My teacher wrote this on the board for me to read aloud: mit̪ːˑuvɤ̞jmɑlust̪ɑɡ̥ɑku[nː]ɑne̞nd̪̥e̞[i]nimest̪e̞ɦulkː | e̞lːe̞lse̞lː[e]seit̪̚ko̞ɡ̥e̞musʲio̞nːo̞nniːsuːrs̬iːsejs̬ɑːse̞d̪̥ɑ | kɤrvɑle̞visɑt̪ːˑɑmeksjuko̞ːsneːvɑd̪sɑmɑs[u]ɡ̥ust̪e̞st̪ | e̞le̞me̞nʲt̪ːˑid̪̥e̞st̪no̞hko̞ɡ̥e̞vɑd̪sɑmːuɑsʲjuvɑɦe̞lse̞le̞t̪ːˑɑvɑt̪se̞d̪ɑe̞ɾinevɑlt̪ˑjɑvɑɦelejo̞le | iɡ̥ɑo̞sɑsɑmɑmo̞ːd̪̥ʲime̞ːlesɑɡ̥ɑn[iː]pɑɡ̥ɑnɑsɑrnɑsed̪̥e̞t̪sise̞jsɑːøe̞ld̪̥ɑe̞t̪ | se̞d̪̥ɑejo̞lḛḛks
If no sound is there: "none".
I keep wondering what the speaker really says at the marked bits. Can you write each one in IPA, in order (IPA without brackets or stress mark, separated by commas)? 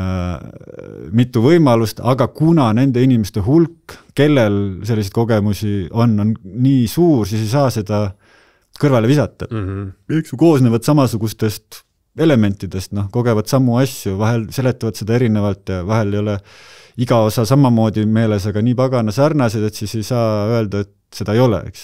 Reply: n, i, i, u, iː